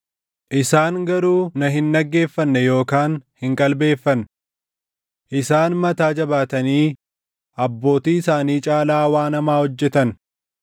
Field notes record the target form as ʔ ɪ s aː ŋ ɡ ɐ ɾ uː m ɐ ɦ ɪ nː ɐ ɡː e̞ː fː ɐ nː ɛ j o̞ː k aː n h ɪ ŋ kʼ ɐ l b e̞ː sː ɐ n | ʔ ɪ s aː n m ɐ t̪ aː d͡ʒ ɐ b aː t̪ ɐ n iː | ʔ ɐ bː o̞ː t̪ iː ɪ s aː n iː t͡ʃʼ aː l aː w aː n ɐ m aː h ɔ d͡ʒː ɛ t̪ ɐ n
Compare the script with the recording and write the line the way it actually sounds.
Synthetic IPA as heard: ʔ ɪ s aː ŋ ɡ ɐ ɾ uː n ɐ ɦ ɪ nː ɐ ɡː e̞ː fː ɐ nː ɛ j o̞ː k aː n h ɪ ŋ kʼ ɐ l b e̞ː fː ɐ n | ʔ ɪ s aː n m ɐ t̪ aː d͡ʒ ɐ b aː t̪ ɐ n iː | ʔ ɐ bː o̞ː t̪ iː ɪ s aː n iː t͡ʃʼ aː l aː w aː n ɐ m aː h ɔ d͡ʒː ɛ t̪ ɐ n

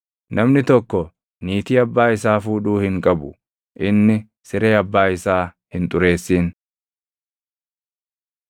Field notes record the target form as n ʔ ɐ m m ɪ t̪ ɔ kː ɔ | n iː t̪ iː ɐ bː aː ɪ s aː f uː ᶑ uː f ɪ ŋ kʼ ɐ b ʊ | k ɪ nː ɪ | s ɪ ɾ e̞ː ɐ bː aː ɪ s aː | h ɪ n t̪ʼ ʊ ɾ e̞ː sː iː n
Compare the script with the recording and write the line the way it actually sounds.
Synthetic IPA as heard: n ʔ ɐ m n ɪ t̪ ɔ kː ɔ | n iː t̪ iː ɐ bː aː ɪ s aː f uː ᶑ uː h ɪ ŋ kʼ ɐ b ʊ | ʔ ɪ nː ɪ | s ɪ ɾ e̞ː ɐ bː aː ɪ s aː | h ɪ n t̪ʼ ʊ ɾ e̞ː sː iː n

